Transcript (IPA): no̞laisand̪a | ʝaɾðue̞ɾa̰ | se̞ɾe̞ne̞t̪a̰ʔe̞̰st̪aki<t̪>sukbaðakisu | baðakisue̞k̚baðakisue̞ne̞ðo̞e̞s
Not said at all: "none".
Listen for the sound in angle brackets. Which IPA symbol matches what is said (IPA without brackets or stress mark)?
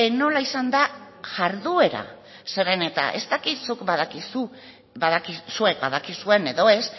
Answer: t̪